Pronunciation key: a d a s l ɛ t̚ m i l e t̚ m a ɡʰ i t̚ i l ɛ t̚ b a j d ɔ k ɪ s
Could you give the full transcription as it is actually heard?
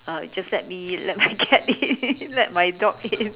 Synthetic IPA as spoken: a d͡ʒ a s l ɛ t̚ m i l ɛ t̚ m a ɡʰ ɛ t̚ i l ɛ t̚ m a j d ɔ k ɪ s